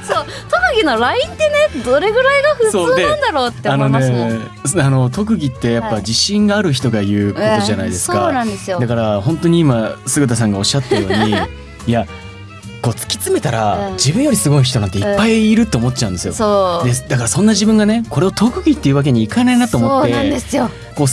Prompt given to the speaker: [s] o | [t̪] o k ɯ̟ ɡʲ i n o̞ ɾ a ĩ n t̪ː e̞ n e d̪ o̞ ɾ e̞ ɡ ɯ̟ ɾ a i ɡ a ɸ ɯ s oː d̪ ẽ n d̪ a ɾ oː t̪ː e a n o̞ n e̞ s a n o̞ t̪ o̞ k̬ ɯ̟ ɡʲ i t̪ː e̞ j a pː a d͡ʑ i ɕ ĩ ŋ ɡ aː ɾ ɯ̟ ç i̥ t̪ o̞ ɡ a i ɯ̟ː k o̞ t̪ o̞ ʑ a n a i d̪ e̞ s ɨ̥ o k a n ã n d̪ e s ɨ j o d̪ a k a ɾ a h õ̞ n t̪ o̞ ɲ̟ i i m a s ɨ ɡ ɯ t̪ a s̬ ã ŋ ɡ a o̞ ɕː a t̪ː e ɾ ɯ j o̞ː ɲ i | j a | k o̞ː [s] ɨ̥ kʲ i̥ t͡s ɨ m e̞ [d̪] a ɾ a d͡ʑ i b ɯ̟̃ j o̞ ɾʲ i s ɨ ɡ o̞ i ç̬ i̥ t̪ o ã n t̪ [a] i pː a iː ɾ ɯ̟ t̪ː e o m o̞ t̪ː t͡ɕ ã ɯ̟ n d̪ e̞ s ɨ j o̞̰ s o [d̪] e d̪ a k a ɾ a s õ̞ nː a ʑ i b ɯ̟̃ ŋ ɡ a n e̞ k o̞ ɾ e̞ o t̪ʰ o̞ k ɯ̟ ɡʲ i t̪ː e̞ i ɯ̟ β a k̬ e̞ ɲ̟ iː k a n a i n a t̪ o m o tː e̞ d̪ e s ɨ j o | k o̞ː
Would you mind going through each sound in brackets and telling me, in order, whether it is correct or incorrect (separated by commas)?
correct, correct, incorrect, incorrect, incorrect, correct